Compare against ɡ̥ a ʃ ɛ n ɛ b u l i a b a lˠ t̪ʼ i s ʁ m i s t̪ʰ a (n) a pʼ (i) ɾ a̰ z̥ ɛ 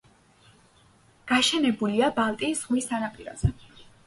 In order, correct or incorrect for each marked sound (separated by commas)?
correct, correct